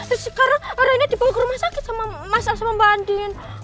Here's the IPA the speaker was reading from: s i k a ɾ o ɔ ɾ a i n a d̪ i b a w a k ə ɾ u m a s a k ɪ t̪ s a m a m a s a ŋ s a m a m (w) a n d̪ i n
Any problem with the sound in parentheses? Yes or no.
yes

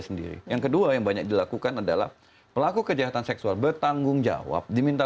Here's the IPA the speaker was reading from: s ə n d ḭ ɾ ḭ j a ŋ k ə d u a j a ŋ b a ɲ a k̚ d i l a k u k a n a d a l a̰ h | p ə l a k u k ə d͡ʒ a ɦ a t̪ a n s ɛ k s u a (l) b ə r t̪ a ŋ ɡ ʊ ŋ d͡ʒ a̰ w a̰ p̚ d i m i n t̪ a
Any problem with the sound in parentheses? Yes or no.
no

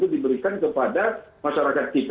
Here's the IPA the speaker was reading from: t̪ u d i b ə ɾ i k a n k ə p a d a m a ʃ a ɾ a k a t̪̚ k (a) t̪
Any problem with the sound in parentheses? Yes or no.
yes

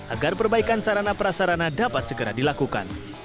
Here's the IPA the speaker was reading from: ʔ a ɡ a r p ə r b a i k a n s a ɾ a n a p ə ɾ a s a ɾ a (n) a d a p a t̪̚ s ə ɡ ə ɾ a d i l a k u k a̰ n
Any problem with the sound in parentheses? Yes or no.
no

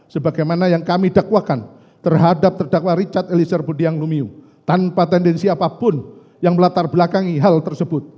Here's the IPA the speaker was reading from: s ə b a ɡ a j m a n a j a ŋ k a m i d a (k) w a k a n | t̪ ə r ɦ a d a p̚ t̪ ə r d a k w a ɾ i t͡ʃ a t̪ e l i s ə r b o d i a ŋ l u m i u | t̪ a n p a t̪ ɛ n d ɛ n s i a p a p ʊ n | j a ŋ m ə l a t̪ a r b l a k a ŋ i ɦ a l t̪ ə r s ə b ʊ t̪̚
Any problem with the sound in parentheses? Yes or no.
no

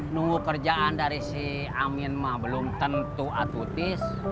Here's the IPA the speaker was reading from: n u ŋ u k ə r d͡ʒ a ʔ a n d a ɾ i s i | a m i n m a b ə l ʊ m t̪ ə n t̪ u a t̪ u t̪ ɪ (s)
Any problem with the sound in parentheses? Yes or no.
no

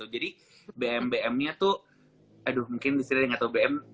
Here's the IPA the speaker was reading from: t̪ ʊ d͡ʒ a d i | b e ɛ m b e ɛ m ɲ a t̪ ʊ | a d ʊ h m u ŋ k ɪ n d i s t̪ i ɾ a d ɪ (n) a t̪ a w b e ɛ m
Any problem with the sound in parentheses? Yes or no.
yes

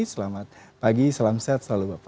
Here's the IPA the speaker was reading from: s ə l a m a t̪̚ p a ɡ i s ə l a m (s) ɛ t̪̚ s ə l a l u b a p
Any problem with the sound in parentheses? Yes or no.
no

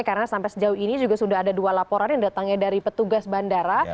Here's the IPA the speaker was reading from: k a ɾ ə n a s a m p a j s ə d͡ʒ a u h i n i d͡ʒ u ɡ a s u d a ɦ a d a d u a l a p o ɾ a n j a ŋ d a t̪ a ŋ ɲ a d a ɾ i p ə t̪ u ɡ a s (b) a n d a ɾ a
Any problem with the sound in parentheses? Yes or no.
no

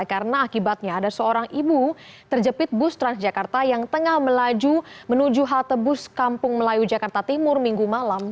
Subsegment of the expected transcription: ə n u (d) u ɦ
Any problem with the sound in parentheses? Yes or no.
yes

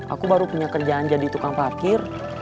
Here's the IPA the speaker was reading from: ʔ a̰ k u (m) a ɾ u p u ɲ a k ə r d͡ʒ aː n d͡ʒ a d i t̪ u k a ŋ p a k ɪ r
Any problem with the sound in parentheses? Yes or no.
yes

